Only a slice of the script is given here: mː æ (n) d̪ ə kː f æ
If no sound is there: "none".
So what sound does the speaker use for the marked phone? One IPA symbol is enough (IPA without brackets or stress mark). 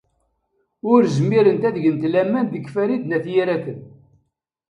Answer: n